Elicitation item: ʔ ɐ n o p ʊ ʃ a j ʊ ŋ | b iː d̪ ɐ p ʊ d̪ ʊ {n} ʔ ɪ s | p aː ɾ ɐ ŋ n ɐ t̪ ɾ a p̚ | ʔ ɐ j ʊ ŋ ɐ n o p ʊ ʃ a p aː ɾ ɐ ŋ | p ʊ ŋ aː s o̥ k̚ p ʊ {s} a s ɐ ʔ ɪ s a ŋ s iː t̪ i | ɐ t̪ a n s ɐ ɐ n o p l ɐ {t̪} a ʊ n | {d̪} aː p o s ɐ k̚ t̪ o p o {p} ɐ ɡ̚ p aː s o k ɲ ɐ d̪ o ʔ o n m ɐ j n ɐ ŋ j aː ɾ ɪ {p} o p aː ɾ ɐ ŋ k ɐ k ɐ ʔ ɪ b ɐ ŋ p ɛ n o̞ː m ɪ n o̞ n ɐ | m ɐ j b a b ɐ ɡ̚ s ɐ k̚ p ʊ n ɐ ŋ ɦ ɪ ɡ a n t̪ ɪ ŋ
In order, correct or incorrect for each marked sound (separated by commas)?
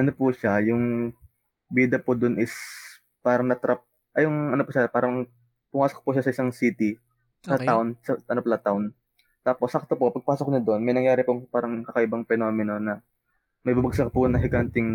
correct, incorrect, correct, incorrect, correct, correct